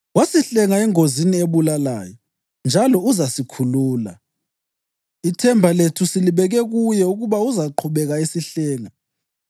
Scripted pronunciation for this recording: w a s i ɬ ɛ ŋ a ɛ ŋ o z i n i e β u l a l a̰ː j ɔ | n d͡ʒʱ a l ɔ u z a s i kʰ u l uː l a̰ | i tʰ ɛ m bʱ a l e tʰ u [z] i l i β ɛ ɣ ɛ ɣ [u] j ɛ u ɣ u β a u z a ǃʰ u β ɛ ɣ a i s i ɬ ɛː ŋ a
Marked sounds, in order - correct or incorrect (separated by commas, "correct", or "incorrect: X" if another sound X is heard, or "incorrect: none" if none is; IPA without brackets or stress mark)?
incorrect: s, correct